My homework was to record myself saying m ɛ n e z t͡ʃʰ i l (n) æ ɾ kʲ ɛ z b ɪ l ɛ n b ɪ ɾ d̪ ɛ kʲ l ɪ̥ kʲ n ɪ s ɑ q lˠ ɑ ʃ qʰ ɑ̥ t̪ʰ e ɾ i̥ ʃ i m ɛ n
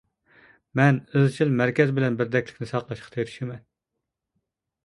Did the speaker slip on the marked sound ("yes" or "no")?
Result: yes